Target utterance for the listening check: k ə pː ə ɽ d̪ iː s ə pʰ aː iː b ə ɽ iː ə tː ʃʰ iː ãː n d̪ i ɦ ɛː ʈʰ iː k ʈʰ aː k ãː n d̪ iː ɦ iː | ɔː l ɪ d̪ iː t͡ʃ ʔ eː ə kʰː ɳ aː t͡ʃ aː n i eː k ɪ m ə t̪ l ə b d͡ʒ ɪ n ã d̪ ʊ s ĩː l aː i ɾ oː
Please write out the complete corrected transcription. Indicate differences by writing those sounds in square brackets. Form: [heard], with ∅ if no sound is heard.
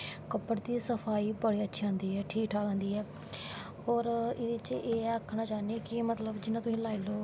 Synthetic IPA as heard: k ə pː ə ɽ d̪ iː s ə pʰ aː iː b ə ɽ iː ə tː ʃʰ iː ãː n d̪ [iː] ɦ ɛː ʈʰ iː k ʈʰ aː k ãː n d̪ iː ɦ [ɛː] | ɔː [ɾ] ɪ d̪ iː t͡ʃ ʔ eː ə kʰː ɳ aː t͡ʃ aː n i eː k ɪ m ə t̪ l ə b d͡ʒ ɪ n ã [t̪] ʊ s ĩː l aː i [l] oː